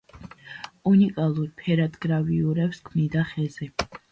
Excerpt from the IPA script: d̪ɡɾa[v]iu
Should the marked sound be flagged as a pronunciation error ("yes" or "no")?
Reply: no